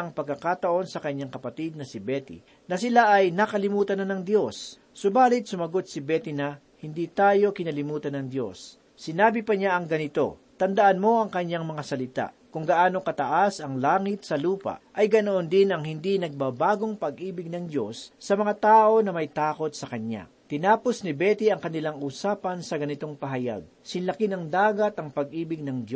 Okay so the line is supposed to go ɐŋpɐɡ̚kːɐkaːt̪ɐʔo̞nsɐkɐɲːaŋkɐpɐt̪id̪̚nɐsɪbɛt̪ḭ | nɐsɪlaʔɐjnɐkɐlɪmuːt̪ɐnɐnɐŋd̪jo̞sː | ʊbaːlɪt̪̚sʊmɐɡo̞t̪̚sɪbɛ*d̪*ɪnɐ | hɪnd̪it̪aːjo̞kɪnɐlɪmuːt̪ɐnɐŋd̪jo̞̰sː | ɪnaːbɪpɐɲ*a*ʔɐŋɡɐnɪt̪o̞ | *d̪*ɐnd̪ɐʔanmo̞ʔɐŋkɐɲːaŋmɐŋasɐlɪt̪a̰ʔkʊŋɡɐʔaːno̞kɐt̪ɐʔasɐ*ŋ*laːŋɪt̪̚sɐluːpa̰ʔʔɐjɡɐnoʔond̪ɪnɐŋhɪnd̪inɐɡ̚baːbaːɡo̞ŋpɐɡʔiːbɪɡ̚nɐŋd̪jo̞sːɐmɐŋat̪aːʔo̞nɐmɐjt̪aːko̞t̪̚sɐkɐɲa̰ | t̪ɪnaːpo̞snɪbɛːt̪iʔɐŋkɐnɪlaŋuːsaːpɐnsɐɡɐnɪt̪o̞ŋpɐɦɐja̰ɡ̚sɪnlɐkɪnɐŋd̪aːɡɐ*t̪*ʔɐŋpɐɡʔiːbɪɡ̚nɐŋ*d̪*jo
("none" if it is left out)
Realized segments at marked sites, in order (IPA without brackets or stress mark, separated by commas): t̪, a, t̪, ŋ, t̪, d̪